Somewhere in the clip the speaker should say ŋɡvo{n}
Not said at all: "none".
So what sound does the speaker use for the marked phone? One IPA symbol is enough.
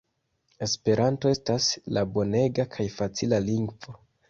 none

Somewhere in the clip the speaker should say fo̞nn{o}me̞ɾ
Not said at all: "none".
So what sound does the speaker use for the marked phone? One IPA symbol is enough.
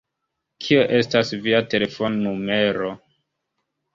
u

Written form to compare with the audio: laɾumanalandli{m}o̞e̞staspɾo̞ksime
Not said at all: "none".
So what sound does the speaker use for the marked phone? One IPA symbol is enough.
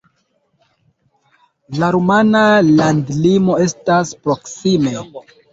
m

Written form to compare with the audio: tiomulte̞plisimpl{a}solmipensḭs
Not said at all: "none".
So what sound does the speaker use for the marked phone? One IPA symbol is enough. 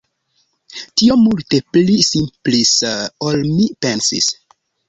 i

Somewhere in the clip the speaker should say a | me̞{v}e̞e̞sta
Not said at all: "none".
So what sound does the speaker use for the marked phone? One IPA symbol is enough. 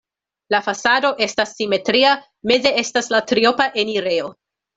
z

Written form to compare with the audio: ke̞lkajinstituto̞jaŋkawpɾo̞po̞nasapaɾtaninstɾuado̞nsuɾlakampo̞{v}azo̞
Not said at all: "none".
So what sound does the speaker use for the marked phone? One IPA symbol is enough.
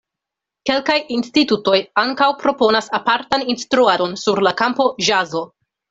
ʒ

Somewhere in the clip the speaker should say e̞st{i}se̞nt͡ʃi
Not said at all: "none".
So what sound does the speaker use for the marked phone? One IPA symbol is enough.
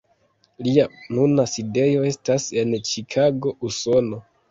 a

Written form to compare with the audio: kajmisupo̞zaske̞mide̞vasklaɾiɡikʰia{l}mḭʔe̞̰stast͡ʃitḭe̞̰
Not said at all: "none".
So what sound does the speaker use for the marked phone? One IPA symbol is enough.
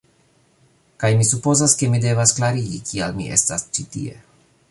l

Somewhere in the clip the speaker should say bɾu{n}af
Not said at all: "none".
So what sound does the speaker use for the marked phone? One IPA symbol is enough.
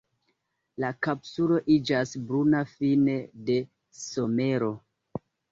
n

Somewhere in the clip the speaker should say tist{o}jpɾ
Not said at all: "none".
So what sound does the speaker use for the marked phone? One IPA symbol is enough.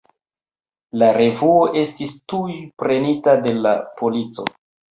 u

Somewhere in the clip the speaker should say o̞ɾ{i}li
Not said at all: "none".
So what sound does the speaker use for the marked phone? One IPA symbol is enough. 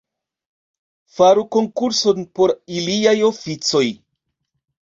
i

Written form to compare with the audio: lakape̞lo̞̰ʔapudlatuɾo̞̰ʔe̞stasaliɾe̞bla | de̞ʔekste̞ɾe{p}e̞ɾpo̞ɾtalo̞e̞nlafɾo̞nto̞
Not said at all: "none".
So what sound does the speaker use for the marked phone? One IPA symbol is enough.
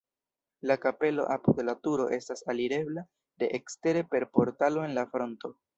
p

